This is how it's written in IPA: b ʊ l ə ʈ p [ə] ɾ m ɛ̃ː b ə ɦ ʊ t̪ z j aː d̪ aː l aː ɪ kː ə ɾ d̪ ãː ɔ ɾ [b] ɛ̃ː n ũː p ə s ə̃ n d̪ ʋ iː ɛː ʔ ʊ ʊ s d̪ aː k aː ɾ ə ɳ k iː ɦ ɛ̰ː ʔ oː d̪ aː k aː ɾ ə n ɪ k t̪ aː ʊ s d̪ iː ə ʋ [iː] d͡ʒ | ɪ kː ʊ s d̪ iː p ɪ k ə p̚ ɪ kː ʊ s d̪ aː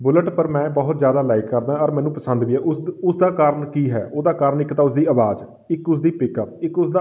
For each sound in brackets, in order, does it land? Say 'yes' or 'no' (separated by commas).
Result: yes, no, no